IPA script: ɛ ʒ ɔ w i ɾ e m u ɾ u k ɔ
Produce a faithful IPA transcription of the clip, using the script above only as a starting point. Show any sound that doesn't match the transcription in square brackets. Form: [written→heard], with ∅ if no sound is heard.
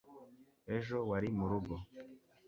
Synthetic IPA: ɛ ʒ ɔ w [i→a] ɾ [e→i] m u ɾ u [k→ɡ] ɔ